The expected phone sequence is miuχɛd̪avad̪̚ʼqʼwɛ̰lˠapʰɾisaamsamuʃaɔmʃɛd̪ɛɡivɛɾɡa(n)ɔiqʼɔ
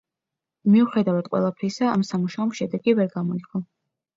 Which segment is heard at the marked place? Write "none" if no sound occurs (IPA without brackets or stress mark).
m